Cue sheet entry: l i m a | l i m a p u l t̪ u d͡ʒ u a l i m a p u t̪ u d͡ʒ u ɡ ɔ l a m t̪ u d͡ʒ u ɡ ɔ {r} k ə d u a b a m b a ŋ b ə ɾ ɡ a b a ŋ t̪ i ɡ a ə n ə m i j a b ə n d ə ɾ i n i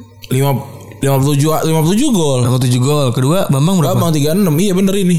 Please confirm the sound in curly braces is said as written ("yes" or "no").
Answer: no